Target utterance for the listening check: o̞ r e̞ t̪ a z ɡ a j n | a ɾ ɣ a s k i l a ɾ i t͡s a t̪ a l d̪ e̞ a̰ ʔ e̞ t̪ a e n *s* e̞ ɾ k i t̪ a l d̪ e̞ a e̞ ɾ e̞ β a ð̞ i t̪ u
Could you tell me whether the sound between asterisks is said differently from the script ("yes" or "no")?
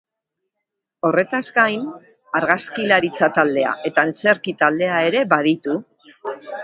yes